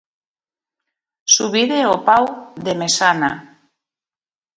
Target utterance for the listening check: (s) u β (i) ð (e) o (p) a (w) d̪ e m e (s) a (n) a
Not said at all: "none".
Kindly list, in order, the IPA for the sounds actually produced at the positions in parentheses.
s, i, e, p, w, s, n

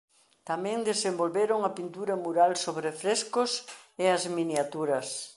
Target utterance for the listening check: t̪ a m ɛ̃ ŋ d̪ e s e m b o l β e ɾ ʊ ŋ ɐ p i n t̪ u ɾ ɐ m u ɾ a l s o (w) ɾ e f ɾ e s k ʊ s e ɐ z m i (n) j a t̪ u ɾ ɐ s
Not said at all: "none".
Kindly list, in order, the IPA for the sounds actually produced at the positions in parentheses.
β, n

